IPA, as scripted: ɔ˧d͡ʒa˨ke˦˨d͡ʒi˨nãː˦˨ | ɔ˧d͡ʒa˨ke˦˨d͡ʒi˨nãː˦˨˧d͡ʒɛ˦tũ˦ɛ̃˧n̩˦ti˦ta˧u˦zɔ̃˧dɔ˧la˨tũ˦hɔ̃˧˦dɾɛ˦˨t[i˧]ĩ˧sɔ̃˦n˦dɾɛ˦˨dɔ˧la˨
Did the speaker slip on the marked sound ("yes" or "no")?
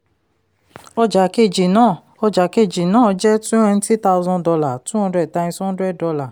yes